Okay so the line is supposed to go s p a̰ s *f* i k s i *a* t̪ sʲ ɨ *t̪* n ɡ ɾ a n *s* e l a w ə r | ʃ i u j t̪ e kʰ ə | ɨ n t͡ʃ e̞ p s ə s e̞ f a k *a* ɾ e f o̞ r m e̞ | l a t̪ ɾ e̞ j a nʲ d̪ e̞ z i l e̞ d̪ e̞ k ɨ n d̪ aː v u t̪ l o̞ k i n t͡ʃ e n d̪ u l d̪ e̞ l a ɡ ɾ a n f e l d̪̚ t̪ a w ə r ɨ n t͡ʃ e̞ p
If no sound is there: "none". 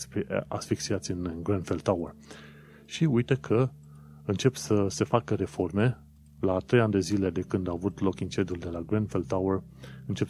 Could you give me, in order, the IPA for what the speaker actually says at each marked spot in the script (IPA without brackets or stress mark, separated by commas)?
f, a, none, f, ə